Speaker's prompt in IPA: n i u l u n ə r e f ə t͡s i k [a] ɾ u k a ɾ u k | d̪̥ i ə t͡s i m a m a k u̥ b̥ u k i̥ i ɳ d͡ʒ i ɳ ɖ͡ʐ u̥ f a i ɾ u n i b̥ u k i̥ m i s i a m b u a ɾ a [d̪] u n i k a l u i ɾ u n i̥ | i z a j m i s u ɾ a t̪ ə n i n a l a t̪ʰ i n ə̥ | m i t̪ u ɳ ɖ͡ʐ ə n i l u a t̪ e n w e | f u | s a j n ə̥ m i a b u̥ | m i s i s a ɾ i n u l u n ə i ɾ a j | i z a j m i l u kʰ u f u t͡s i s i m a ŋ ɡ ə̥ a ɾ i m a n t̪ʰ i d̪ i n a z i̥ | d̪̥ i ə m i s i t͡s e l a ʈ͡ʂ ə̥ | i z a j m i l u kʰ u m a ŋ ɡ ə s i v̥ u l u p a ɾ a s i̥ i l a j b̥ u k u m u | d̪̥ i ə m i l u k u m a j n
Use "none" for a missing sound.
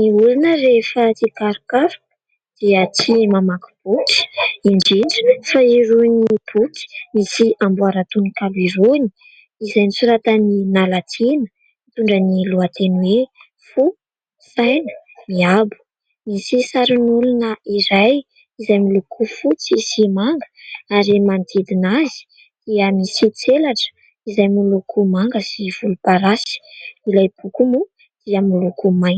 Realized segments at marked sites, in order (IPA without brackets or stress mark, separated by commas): a, t̪